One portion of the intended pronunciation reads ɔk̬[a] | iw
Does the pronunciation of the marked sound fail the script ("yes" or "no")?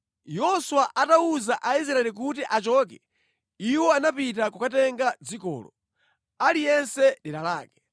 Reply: yes